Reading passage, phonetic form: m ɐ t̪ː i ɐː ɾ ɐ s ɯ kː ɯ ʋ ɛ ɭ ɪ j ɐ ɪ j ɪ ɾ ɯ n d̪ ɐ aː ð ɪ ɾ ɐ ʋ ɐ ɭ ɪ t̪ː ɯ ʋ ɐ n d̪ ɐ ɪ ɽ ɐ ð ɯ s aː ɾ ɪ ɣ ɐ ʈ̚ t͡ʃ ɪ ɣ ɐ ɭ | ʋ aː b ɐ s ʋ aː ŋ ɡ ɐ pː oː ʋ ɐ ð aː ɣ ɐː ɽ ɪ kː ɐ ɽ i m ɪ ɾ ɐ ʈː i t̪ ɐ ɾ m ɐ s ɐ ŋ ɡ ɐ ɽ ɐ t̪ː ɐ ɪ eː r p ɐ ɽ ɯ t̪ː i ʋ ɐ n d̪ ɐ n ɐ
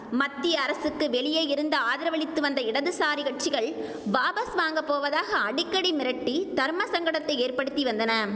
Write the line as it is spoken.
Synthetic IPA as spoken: m ɐ t̪ː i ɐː ɾ ɐ s ɯ kː ɯ ʋ ɛ ɭ ɪ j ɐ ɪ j ɪ ɾ ɯ n d̪ ɐ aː ð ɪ ɾ ɐ ʋ ɐ ɭ ɪ t̪ː ɯ ʋ ɐ n d̪ ɐ ɪ ɽ ɐ ð ɯ s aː ɾ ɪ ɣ ɐ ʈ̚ t͡ʃ ɪ ɣ ɐ ɭ | ʋ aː b ɐ s ʋ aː ŋ ɡ ɐ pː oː ʋ ɐ ð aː ɣ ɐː ɽ ɪ kː ɐ ɽ i m ɪ ɾ ɐ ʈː i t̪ ɐ ɾ m ɐ s ɐ ŋ ɡ ɐ ɽ ɐ t̪ː ɐ ɪ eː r p ɐ ɽ ɯ t̪ː i ʋ ɐ n d̪ ɐ n ɐ